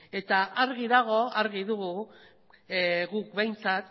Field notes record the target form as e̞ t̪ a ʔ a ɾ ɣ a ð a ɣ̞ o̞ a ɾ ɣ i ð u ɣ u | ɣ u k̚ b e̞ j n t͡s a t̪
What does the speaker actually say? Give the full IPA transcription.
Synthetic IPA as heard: e̞ t̪ a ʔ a ɾ ɣ i ð a ɣ̞ o̞ a ɾ ɣ i ð u ɣ u | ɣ u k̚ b e̞ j n t͡s a t̪